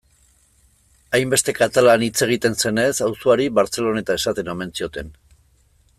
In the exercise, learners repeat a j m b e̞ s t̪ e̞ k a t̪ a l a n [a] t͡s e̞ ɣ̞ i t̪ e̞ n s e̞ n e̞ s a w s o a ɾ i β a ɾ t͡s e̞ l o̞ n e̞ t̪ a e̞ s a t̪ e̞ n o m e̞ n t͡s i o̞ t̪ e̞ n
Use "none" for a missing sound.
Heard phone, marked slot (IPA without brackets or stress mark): i